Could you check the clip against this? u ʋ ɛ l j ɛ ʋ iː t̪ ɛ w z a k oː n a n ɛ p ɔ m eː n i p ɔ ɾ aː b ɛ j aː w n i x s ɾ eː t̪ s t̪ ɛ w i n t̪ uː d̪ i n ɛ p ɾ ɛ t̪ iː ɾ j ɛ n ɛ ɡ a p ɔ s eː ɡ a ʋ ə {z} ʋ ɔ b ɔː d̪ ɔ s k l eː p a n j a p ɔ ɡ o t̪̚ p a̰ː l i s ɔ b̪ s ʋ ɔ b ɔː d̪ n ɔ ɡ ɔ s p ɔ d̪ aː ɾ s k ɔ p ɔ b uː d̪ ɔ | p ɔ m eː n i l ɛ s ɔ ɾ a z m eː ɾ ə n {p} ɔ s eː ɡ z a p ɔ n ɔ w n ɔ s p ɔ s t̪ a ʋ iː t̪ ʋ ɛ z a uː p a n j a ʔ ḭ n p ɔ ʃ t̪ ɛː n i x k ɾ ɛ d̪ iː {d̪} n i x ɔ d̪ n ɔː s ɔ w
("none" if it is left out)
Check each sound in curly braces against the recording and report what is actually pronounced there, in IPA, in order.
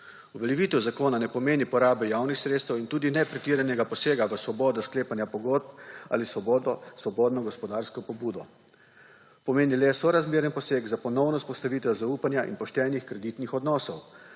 s, p, t̪

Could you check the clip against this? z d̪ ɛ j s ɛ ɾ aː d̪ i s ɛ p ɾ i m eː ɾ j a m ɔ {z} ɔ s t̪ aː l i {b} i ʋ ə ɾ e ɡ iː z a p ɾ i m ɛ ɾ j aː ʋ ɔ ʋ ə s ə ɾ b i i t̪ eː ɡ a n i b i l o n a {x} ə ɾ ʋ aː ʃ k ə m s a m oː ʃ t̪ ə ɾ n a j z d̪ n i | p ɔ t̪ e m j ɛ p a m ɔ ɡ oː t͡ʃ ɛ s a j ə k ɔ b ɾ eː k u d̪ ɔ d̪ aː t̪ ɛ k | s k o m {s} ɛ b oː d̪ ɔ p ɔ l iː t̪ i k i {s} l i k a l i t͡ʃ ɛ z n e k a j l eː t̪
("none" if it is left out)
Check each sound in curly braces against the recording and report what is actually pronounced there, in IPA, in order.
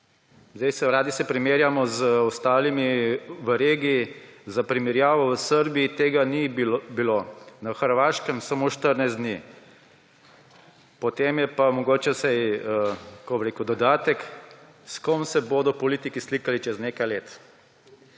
z, m, x, s, s

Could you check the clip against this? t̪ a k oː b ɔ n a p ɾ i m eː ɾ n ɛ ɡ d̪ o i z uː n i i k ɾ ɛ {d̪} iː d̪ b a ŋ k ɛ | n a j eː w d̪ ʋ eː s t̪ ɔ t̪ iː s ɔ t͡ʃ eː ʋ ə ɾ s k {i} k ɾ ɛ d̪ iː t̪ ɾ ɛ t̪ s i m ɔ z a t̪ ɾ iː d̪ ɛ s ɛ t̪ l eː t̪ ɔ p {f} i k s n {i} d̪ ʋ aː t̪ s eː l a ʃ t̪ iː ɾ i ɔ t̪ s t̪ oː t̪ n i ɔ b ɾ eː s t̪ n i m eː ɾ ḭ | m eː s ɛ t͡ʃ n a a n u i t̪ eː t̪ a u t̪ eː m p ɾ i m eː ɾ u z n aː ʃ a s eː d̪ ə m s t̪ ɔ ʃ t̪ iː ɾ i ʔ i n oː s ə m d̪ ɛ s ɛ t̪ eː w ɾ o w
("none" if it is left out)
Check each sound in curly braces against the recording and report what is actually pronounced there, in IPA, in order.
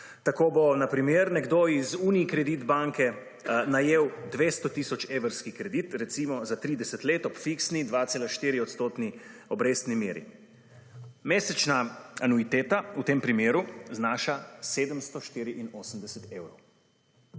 d̪, i, f, i

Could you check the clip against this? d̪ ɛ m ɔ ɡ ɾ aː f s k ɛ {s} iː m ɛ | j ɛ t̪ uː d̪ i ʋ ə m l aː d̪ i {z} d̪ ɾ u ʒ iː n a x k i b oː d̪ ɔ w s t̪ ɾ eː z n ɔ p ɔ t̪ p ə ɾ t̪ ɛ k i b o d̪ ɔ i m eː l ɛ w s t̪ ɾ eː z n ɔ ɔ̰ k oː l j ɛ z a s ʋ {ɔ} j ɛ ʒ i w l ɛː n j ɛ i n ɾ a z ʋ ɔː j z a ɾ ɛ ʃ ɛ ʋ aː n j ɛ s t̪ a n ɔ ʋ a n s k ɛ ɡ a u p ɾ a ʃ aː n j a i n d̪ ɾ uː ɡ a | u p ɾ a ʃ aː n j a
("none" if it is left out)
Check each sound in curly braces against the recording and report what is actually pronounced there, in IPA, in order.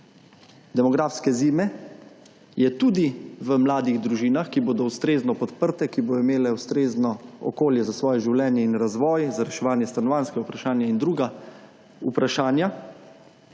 z, ɣ, ɔː

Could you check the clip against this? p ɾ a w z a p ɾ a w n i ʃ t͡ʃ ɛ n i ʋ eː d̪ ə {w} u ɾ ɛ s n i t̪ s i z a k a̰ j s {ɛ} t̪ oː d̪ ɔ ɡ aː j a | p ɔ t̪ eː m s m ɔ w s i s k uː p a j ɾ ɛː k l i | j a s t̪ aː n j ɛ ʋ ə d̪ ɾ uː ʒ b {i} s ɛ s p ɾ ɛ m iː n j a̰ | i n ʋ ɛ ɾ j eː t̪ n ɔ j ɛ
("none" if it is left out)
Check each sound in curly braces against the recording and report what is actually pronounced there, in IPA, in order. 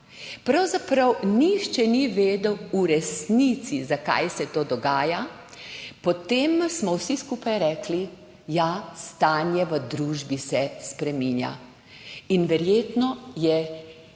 w, ɛ, i

